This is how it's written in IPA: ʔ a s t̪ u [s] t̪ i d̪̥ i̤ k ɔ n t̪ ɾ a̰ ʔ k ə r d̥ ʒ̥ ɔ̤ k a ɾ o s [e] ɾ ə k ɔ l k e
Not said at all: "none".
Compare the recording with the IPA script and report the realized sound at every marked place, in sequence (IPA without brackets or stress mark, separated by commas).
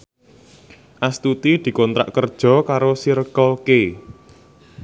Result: none, i